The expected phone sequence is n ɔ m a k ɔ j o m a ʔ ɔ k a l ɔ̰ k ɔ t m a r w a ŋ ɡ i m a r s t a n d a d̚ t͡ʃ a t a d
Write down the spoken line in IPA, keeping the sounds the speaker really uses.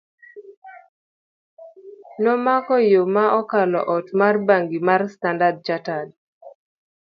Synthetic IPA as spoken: n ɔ m a k ɔ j o m a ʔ ɔ k a l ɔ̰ ʔ ɔ t m a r b a ŋ ɡ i m a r s t a n d a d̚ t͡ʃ a t a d

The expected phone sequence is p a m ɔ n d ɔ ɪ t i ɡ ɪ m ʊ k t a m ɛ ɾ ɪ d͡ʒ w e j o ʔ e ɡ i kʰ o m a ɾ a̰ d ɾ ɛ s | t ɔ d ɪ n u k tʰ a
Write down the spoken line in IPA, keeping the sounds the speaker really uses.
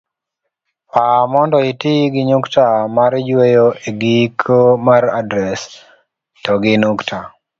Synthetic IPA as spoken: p a m ɔ n d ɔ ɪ t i ɡ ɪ ɲ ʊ k t a m a ɾ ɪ d͡ʒ w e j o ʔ e ɡ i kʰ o m a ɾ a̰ d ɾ ɛ s | t ɔ ɡ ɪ n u k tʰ a

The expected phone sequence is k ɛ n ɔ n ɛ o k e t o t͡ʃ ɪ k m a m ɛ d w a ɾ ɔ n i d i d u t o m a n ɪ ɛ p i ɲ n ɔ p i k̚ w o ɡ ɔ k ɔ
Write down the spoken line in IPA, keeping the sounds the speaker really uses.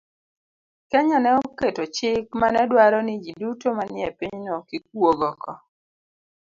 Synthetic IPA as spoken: k ɛ ɲ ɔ n ɛ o k e t o t͡ʃ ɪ k m a n ɛ d w a ɾ ɔ n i d͡ʒ i d u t o m a n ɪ ɛ p i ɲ n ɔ k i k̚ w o ɡ ɔ k ɔ

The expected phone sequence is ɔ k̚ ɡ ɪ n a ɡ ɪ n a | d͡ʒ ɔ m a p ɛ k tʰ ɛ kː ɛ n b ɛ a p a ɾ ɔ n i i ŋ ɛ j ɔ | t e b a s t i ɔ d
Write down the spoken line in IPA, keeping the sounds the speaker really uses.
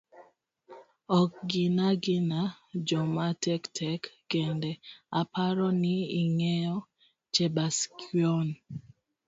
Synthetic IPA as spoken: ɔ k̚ ɡ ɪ n a ɡ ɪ n a | d͡ʒ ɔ m a t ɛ k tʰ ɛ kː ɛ n d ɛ a p a ɾ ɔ n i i ŋ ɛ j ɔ | t͡ʃ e b a s k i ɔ n

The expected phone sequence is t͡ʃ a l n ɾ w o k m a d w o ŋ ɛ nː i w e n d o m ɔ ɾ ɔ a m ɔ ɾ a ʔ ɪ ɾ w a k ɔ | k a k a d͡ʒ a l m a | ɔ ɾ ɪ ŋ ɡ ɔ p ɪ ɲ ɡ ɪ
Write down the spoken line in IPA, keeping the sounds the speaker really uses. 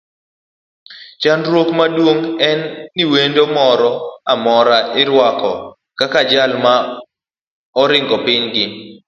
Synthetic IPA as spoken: t͡ʃ a n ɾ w o k m a d w o ŋ ɛ nː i w e n d o m ɔ ɾ ɔ a m ɔ ɾ a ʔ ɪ ɾ w a k ɔ | k a k a d͡ʒ a l m a | ɔ ɾ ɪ ŋ ɡ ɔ p ɪ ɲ ɡ ɪ

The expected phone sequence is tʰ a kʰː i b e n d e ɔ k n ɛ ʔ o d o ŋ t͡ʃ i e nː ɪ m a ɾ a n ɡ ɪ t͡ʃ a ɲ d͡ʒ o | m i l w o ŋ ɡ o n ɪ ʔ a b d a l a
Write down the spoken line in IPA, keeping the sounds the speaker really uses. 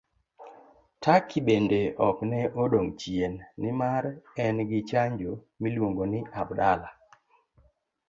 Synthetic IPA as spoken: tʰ a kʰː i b e n d e ɔ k n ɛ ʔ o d o ŋ t͡ʃ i e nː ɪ m a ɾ ɛ n ɡ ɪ t͡ʃ a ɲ d͡ʒ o | m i l w o ŋ ɡ o n ɪ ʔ a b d a l a

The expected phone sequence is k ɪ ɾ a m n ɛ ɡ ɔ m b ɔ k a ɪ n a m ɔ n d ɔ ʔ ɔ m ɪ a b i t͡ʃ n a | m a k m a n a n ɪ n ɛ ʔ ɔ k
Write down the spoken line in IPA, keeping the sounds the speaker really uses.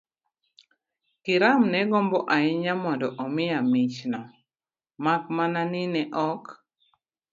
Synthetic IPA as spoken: k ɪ ɾ a m n ɛ ɡ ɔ m b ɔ ʔ a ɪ ɲ a m ɔ n d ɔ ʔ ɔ m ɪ a m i t͡ʃ n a | m a k m a n a n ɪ n ɛ ʔ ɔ k

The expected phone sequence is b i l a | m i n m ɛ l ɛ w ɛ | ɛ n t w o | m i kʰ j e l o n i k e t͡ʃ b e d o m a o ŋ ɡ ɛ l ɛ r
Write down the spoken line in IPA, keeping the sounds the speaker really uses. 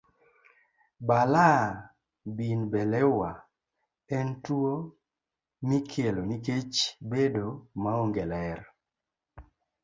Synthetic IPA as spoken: b a l a | b i n b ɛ l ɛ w a | ɛ n t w o | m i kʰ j e l o n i k e t͡ʃ b e d o m a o ŋ ɡ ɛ l ɛ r

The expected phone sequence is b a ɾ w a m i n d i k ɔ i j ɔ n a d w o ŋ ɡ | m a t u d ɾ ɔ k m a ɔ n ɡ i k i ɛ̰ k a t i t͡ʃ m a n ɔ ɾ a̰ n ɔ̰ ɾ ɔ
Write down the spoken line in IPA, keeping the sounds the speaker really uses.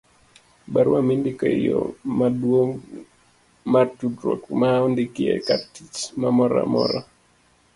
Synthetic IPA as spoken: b a ɾ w a m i n d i k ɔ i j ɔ m a d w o ŋ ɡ | m a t u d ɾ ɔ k m a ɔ n d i k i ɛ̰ k a t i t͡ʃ m a m ɔ ɾ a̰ m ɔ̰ ɾ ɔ

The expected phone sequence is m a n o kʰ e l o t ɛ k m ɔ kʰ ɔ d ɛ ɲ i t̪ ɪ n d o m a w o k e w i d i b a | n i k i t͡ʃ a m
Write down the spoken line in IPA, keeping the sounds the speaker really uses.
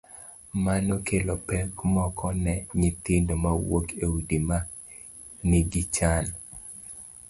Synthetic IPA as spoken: m a n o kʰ e l o p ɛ k m ɔ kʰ ɔ n ɛ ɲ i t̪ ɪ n d o m a w o k e w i d i m a | n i ɡ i t͡ʃ a n

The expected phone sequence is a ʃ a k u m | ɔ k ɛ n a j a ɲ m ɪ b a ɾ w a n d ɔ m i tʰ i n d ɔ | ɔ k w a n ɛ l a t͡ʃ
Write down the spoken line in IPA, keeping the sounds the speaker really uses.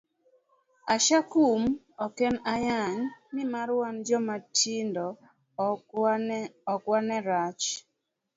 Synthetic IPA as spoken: a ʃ a k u m | ɔ k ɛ n a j a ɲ m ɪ m a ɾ w a n d͡ʒ ɔ m a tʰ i n d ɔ | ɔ k w a n ɛ ɾ a t͡ʃ

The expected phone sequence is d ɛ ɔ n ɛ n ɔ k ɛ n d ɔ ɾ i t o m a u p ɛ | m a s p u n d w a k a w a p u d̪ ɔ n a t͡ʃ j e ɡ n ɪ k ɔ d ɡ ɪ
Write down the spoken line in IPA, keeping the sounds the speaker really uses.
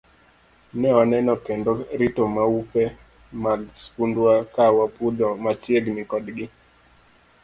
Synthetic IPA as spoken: n ɛ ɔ n ɛ n ɔ k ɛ n d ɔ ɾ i t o m a u p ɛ | m a s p u n d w a k a w a p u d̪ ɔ m a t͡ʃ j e ɡ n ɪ k ɔ d ɡ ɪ

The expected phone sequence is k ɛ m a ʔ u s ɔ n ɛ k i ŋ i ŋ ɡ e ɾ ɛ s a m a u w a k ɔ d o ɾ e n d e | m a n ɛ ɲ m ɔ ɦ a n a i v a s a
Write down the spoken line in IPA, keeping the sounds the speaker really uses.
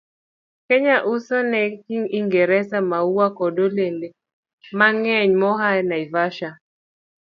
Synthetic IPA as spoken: k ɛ ɲ a ʔ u s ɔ n ɛ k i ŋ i ŋ ɡ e ɾ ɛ s a m a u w a k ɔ d o l e n d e | m a ŋ ɛ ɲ m ɔ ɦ a n a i v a ʃ a

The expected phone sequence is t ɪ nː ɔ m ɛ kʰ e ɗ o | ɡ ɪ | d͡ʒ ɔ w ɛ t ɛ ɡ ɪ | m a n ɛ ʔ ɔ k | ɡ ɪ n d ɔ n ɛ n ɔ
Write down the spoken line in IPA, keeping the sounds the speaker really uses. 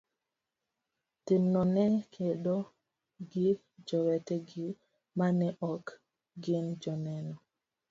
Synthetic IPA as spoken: t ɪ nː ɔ n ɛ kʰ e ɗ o | ɡ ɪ | d͡ʒ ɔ w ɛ t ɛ ɡ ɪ | m a n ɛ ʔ ɔ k | ɡ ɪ n d͡ʒ ɔ n ɛ n ɔ

